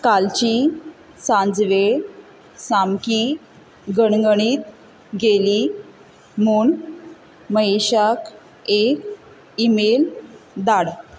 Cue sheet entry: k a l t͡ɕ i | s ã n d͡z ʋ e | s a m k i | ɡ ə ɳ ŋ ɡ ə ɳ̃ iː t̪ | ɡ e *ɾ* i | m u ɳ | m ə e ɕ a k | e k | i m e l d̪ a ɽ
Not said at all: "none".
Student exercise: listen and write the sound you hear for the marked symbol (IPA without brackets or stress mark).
l